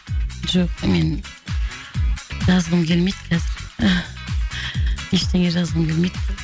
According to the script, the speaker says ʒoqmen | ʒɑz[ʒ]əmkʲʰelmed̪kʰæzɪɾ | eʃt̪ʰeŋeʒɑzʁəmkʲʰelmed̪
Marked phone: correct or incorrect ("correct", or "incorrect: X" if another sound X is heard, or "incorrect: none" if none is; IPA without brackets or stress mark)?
incorrect: ʁ